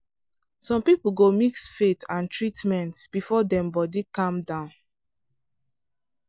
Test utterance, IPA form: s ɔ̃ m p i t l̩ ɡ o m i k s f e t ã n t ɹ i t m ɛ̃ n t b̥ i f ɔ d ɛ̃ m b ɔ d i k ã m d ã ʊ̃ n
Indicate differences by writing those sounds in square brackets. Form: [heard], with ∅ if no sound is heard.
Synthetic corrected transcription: s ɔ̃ m p i [p] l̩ ɡ o m i k s f e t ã n t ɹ i t m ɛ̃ n t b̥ i f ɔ d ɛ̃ m b ɔ d i k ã m d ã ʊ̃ n